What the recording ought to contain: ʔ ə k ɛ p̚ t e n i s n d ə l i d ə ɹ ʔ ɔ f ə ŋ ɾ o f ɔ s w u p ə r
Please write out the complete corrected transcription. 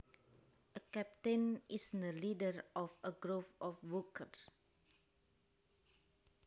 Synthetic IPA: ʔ ə k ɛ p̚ t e n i s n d ə l i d ə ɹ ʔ ɔ f ə ɡ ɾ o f ɔ f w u k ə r